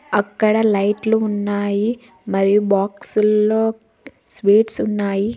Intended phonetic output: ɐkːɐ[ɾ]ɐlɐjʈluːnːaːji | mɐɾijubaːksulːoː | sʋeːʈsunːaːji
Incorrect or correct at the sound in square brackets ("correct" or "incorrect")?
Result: incorrect